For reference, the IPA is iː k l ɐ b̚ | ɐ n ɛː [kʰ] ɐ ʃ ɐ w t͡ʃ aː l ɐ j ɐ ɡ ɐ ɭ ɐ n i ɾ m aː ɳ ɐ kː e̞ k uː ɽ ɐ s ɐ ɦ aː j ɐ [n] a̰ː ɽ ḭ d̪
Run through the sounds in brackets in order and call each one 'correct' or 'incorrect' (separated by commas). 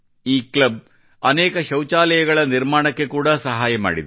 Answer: incorrect, incorrect